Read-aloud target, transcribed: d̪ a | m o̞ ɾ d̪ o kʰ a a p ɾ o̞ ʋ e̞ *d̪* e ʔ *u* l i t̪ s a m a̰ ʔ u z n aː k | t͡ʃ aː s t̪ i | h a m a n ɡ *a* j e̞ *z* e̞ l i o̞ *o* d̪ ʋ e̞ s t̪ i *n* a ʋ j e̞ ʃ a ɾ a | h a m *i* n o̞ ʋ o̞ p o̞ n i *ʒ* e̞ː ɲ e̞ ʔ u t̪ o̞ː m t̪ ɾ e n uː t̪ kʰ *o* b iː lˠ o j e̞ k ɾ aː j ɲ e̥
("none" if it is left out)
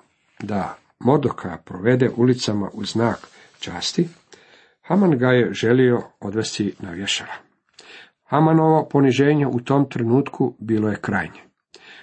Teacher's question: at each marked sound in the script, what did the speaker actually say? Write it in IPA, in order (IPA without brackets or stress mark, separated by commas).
d̪, u, a, ʒ, o, n, a, ʒ, u